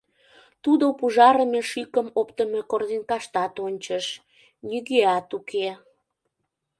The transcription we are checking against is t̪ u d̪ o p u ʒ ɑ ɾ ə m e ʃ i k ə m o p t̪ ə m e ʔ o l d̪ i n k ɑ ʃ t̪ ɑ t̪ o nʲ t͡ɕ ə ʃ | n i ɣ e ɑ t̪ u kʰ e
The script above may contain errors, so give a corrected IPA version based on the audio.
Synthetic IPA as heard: t̪ u d̪ o p u ʒ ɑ ɾ ə m e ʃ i k ə m o p t̪ ə m e k o r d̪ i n k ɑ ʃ t̪ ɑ t̪ o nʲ t͡ɕ ə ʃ | n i ɣ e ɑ t̪ u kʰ e